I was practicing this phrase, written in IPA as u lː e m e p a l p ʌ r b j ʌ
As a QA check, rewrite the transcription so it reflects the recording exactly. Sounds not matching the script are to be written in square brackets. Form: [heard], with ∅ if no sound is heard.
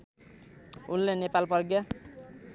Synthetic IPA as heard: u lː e [n] e p a l p ʌ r [ɡ] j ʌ